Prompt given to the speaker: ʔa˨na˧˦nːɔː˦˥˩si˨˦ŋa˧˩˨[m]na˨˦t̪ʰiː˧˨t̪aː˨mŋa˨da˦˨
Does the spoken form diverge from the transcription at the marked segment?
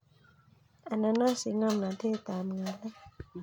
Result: no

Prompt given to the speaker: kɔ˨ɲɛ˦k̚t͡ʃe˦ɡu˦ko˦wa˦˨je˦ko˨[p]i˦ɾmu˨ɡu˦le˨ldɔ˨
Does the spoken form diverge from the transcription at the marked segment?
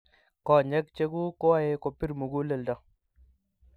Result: no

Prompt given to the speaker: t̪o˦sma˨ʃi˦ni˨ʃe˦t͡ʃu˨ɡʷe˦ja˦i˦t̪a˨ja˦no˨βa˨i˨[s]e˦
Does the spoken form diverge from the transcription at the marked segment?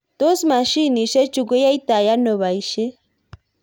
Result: yes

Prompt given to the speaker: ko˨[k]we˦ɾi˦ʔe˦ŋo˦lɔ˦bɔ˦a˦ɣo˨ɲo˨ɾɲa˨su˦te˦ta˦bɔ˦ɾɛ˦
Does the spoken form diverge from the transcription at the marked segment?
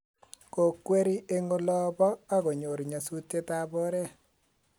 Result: no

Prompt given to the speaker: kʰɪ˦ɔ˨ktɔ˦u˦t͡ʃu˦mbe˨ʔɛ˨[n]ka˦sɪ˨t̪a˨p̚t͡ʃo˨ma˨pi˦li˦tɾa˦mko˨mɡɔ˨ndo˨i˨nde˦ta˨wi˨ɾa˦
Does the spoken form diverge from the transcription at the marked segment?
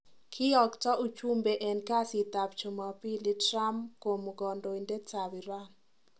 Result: no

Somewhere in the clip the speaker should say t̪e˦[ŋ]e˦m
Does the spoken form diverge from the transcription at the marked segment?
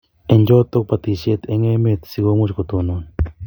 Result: no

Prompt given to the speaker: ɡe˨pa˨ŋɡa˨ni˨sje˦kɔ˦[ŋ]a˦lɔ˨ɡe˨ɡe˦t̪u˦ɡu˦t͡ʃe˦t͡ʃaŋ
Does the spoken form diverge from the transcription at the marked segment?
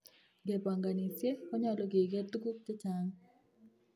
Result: yes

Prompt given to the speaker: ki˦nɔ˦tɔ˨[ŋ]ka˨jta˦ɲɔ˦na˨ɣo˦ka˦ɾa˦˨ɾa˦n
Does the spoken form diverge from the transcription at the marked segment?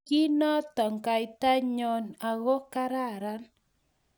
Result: no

